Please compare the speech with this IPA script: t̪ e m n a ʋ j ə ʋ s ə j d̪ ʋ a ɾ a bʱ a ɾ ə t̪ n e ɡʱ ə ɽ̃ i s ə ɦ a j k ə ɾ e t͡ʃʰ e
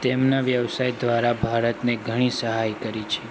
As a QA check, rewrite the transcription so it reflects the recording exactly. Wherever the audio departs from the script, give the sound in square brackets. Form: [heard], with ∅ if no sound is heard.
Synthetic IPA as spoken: t̪ e m n a ʋ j ə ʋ s [a] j d̪ ʋ a ɾ a bʱ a ɾ ə t̪ n e ɡʱ ə ɽ̃ i s ə ɦ a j k ə ɾ [i] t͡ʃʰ e